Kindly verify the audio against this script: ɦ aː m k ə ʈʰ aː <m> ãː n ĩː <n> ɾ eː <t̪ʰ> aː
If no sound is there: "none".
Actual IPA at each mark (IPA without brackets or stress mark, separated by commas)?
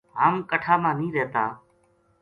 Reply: m, none, t̪